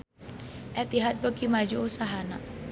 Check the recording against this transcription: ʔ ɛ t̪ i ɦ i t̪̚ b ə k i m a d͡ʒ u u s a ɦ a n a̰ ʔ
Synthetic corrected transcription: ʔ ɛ t̪ i ɦ a t̪̚ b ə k i m a d͡ʒ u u s a ɦ a n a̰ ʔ